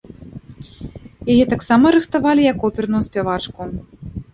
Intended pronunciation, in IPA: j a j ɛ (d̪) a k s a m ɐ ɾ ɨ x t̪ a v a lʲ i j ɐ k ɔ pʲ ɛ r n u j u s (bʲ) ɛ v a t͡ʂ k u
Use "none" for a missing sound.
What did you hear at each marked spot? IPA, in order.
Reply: t̪, pʲ

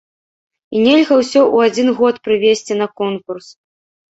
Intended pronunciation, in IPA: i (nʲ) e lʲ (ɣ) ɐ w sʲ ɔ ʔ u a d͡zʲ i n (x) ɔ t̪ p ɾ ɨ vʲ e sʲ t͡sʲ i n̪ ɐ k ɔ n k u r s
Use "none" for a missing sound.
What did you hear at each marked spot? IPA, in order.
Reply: nʲ, ɣ, ɣ

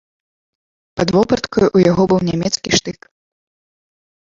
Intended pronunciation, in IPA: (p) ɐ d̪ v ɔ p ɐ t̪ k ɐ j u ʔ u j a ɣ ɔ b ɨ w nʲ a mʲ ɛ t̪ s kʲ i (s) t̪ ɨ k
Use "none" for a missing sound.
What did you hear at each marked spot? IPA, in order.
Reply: p, ʂ

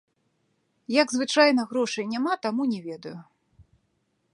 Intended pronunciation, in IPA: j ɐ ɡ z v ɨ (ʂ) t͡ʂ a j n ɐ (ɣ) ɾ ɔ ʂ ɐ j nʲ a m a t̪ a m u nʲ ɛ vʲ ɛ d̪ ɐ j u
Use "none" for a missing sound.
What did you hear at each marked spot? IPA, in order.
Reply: none, ɣ

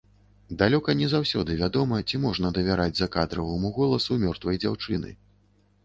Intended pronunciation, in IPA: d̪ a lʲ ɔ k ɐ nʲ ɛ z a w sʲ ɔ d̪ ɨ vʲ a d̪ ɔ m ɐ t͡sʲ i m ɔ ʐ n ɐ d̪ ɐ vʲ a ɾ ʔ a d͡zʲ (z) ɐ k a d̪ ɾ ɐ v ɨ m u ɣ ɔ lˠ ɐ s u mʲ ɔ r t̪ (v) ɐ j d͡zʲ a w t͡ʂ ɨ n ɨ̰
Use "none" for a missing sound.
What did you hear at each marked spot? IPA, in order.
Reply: z, v

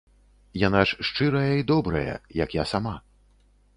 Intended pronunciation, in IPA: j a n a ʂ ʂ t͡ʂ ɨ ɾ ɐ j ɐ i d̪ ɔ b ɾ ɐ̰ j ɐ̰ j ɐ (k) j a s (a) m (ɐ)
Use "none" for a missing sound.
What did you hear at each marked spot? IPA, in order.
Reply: k, a, a

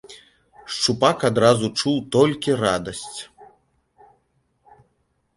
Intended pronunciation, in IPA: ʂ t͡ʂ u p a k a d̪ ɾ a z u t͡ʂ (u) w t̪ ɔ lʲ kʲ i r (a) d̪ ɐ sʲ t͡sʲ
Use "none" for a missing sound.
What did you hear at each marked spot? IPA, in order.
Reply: u, a

